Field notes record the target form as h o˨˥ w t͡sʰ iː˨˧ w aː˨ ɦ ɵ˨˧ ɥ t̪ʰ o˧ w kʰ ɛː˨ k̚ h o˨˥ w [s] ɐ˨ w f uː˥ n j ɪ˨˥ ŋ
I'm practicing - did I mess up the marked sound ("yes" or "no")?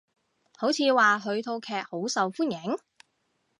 no